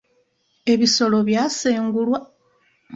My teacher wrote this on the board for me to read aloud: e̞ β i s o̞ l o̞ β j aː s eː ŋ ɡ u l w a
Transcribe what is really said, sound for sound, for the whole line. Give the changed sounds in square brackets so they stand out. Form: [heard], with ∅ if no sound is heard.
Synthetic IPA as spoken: e̞ β i s o̞ l o̞ β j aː s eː ŋ ɡ u l w a